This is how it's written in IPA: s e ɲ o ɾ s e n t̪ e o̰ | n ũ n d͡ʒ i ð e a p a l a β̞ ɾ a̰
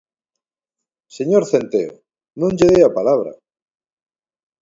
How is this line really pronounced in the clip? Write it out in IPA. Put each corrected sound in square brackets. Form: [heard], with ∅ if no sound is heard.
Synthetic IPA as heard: s e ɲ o ɾ [θ] e n t̪ e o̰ | n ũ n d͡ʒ [e] ð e a p a l a β̞ ɾ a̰